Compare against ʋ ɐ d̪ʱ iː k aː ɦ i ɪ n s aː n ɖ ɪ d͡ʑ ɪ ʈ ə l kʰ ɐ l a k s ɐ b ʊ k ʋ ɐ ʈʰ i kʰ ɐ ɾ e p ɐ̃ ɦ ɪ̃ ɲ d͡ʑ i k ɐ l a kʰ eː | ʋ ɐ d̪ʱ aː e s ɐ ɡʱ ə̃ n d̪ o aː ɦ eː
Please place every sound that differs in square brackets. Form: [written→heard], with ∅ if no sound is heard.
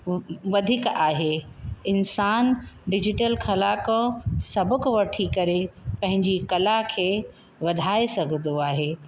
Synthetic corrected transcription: ʋ ɐ d̪ʱ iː k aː ɦ [i→e] ɪ n s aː n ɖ ɪ d͡ʑ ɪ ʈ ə l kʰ ɐ l a k s ɐ b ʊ k ʋ ɐ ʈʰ i [kʰ→k] ɐ ɾ e p ɐ̃ ɦ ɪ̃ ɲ d͡ʑ i k ɐ l a kʰ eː | ʋ ɐ d̪ʱ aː e s ɐ ɡʱ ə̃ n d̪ o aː ɦ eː